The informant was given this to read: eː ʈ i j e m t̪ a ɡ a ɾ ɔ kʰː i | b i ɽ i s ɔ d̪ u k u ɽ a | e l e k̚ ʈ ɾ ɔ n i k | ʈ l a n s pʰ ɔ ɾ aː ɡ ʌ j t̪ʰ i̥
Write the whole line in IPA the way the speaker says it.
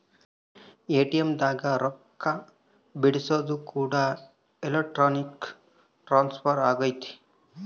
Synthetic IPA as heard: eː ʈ i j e m d̪ a ɡ a ɾ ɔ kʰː a | b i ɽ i s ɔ d̪ u k u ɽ a | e l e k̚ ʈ ɾ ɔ n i k | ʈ ɾ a n s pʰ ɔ ɾ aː ɡ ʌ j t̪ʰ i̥